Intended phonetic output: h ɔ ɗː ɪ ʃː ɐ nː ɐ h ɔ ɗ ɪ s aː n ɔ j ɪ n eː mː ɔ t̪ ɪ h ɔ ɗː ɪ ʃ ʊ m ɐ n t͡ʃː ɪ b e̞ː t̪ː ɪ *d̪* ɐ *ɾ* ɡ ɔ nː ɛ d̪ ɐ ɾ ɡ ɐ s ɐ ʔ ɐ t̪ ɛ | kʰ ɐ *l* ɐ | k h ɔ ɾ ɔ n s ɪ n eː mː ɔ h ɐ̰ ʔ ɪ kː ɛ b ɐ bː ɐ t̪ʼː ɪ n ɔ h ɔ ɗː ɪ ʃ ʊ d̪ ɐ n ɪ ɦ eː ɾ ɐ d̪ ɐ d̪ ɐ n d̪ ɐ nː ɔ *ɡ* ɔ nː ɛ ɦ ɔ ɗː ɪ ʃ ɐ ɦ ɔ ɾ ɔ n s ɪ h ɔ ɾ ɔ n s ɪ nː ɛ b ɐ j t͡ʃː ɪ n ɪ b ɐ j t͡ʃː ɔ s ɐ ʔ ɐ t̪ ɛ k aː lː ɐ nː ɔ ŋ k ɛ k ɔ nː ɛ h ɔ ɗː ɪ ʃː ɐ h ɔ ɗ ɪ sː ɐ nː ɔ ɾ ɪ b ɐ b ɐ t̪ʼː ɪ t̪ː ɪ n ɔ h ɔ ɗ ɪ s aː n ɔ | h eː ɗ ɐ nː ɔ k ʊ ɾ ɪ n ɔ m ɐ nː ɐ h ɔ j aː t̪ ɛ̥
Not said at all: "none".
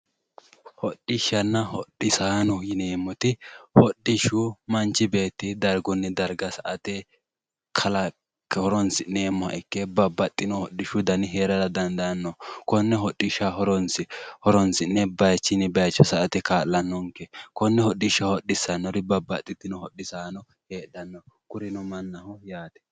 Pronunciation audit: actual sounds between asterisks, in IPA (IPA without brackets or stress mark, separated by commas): d̪, ɾ, l, k